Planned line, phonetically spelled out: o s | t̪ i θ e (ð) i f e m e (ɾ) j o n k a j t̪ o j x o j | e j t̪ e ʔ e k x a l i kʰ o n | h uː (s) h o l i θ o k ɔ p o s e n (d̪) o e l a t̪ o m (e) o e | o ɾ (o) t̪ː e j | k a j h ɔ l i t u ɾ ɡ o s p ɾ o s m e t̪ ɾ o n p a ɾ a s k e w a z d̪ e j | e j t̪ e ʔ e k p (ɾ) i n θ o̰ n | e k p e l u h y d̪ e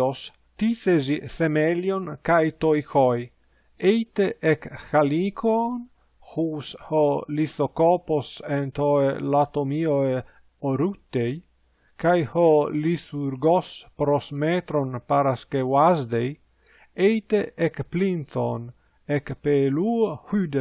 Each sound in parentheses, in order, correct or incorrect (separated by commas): incorrect, incorrect, correct, incorrect, incorrect, incorrect, incorrect